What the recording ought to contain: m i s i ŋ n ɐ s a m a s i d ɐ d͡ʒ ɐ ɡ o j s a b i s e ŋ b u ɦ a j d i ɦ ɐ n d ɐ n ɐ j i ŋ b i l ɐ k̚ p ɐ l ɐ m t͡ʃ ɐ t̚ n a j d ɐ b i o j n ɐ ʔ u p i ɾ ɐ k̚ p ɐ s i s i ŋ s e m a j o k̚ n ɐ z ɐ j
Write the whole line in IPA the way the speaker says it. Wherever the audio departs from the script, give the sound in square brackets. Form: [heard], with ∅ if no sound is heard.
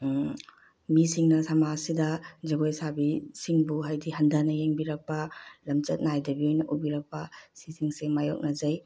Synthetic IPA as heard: m i s i ŋ n ɐ s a m a s i d ɐ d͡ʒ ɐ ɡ o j s a b i s [i] ŋ b u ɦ a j d i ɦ ɐ n d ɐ n ɐ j [e] ŋ b i [ɾ] ɐ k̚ p ɐ l ɐ m t͡ʃ ɐ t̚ n a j d ɐ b i o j n ɐ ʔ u [b] i ɾ ɐ k̚ p ɐ s i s i ŋ s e m a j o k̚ n ɐ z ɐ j